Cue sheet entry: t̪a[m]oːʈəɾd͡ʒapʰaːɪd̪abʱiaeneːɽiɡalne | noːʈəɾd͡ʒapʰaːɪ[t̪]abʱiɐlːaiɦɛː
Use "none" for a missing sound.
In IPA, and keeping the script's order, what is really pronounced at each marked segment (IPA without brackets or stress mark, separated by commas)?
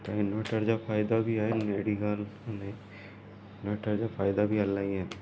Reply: n, d̪